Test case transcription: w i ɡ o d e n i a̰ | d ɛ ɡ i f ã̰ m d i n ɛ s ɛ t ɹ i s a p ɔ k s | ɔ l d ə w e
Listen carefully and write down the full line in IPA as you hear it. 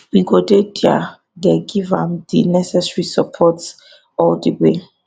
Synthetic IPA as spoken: w i ɡ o d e d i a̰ | d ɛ ɡ i v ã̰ m d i n ɛ s ɛ s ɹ i s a pʰ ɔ t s | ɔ l d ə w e